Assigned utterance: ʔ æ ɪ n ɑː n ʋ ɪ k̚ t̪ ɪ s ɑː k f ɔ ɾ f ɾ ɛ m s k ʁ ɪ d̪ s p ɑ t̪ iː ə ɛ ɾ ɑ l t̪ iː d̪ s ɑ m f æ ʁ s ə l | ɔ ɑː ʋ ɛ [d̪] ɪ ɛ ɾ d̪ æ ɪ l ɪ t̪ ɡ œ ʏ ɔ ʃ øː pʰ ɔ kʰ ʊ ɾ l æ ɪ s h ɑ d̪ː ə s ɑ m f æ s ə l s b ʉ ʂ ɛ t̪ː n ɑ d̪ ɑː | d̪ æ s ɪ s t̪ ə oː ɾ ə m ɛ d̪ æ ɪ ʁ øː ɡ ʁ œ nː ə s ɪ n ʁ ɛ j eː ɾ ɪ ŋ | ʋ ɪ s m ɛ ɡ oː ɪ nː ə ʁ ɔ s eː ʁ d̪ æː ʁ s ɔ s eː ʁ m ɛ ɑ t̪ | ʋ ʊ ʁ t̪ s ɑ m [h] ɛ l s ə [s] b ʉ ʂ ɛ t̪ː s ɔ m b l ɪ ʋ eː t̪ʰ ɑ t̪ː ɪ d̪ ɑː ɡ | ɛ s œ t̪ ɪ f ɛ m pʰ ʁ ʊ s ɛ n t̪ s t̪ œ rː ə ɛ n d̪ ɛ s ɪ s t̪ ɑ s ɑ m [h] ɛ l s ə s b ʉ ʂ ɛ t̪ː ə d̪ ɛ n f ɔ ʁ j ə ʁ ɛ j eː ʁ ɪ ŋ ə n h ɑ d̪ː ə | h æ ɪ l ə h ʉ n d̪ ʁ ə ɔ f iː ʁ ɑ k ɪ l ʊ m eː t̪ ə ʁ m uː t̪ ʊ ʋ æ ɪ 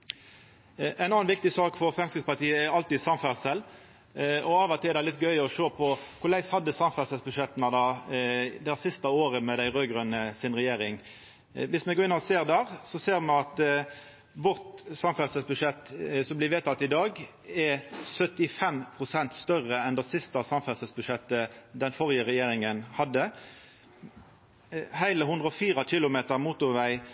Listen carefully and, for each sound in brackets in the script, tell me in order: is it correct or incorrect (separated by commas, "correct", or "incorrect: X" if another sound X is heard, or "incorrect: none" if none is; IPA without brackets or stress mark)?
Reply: incorrect: t̪, incorrect: f, correct, incorrect: f